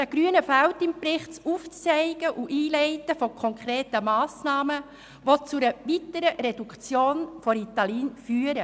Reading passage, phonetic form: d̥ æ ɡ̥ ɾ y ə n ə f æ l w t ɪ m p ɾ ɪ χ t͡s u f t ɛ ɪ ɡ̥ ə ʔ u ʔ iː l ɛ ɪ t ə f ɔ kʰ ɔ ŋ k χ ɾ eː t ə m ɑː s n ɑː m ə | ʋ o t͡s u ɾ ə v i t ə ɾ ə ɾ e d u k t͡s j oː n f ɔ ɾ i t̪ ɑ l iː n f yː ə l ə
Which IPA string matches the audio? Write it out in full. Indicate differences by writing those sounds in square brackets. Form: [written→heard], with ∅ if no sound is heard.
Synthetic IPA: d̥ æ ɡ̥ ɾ y ə n ə f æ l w t ɪ m p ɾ ɪ χ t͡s u f [t→t͡s] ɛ ɪ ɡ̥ ə ʔ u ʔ iː l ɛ ɪ t ə f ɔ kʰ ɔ ŋ k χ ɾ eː t ə m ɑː s n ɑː m ə | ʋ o t͡s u ɾ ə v i t ə ɾ ə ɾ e d u k t͡s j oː n f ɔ ɾ i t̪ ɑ l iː n f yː ə [l→ɾ] ə